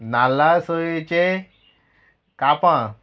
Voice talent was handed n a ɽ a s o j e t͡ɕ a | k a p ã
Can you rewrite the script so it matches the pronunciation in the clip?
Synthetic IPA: n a l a s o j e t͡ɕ e | k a p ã